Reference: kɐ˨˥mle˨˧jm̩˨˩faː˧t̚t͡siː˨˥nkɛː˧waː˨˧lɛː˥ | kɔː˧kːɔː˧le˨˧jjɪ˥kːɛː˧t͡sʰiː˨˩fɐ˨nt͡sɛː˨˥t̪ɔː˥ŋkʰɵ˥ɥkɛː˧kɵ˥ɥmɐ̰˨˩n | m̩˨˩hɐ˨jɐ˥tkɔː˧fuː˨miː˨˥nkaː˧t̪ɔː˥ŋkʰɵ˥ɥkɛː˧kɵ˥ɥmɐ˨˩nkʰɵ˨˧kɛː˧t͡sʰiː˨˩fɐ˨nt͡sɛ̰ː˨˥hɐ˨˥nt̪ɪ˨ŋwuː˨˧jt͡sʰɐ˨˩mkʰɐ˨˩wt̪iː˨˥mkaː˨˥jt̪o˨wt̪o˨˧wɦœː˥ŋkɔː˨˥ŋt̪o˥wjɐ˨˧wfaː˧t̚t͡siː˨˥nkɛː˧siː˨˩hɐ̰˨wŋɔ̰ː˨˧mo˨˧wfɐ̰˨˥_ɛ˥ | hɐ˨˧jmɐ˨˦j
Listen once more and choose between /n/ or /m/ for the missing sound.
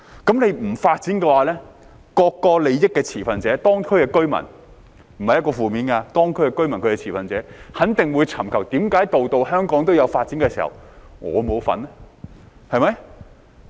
n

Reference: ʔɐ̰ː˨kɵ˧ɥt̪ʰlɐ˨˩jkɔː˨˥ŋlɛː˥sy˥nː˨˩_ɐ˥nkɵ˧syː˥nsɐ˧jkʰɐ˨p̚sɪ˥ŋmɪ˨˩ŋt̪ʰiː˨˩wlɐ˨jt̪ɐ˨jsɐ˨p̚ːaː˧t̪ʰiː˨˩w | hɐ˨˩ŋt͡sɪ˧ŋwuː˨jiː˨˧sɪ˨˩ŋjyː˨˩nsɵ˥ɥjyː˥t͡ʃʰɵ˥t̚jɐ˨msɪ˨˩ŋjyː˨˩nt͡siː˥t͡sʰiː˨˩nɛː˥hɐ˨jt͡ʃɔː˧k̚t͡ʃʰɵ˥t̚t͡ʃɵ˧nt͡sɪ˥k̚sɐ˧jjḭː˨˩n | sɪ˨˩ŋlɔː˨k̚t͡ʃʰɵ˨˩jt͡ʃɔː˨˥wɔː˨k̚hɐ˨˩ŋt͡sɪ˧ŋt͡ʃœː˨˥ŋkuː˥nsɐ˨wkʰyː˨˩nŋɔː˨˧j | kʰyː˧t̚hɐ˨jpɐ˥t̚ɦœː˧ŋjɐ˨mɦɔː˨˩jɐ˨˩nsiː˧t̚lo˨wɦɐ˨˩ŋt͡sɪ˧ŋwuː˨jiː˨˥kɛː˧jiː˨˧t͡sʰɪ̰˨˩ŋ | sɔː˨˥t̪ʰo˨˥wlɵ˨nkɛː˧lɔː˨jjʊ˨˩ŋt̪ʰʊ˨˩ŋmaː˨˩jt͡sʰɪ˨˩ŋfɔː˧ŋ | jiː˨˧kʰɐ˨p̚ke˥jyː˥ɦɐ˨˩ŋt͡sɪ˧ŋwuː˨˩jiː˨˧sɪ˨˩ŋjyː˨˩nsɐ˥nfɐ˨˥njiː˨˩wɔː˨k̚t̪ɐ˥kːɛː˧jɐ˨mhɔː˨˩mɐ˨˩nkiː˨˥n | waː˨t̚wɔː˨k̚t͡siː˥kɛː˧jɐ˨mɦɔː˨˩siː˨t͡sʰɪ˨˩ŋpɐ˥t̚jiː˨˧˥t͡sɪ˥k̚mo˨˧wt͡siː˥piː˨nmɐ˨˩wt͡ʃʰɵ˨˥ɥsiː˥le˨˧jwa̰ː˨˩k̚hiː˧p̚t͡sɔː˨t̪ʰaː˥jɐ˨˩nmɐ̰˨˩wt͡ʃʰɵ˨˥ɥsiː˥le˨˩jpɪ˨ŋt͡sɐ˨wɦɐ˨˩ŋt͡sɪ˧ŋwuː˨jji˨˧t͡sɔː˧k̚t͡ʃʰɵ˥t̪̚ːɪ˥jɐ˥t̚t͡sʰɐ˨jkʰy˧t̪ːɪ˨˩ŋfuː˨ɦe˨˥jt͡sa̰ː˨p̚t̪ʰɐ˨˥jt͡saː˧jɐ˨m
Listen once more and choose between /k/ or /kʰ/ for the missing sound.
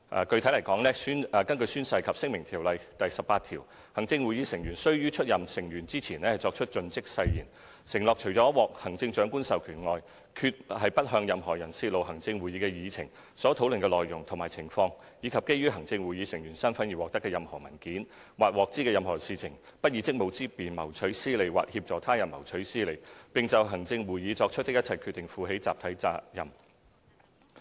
k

